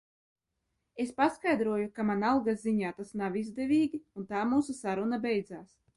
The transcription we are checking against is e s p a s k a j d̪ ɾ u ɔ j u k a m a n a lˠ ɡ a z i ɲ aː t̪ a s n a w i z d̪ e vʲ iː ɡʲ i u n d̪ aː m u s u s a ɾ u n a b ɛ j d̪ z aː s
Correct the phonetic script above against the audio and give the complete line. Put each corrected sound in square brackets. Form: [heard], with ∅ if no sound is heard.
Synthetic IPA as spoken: e s p a s k a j d̪ ɾ u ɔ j u k a m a n a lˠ ɡ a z i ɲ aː t̪ a s n a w i z d̪ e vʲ iː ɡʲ i u n [t̪] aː m [uː] s u s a ɾ u n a b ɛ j d̪ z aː s